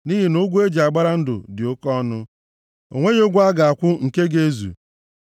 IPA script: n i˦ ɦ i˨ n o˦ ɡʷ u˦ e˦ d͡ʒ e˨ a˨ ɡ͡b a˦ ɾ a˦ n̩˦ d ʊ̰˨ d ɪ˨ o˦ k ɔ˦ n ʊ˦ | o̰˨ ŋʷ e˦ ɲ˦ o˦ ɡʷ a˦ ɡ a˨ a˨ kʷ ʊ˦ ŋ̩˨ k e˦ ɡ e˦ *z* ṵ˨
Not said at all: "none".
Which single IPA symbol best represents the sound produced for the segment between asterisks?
z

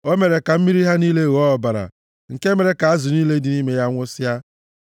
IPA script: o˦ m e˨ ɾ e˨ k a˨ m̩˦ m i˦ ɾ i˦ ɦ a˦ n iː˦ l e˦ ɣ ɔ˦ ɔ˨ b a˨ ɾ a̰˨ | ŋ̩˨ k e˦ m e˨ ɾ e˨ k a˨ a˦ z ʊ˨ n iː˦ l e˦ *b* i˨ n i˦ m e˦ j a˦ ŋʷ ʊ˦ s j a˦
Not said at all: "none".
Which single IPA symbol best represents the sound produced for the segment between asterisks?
d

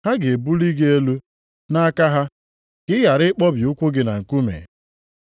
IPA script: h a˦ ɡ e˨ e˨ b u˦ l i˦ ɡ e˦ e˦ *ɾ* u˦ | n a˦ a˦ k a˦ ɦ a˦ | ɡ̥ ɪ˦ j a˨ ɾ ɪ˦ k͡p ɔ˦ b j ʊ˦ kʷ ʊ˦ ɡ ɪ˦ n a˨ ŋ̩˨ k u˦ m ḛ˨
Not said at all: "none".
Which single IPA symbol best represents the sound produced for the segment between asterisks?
l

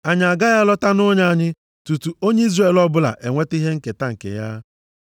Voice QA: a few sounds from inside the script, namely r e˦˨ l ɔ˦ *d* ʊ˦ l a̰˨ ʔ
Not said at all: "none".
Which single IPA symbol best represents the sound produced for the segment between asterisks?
b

